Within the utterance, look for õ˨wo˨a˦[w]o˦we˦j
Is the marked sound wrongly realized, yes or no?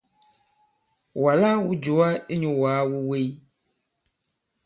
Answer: no